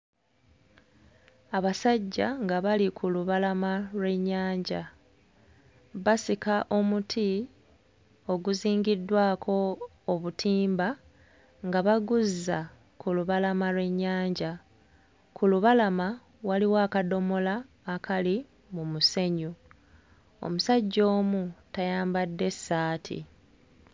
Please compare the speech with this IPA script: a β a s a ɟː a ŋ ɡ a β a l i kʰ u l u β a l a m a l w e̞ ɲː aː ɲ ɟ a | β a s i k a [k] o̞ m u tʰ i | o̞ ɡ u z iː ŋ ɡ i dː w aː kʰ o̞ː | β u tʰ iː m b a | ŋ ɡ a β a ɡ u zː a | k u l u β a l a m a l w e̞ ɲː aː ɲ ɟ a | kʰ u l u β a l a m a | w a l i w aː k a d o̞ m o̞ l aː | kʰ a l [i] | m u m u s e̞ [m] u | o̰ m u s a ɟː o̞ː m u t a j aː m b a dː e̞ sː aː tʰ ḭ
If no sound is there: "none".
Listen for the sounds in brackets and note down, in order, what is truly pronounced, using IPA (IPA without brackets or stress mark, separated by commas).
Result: ʔ, i, ɲ